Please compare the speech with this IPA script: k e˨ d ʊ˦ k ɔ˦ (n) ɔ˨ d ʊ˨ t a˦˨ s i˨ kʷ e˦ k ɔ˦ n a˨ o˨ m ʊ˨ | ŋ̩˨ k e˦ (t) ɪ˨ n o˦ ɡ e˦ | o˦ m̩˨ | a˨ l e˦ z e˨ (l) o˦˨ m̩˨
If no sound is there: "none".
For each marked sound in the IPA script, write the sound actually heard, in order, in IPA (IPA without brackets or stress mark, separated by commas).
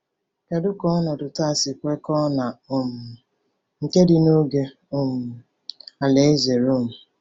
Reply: n, d, ɾ